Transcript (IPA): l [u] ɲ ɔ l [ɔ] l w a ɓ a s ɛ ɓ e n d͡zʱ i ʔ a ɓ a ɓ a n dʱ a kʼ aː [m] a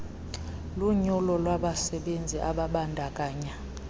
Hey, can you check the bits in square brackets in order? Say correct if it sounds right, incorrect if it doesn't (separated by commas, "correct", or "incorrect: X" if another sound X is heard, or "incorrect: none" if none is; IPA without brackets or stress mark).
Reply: correct, correct, incorrect: ɲ